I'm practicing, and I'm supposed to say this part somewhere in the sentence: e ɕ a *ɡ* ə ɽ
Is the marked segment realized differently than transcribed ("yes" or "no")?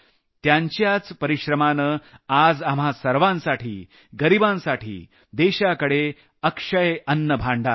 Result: yes